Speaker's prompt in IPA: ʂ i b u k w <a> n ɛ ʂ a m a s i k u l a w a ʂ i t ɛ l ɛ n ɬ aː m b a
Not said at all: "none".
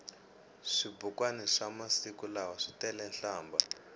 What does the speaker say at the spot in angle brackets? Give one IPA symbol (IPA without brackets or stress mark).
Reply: a